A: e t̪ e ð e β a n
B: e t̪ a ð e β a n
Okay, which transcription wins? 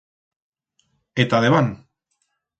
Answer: B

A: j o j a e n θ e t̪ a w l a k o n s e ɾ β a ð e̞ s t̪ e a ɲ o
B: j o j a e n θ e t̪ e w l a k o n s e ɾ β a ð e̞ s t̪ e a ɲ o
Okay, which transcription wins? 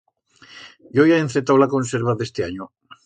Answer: A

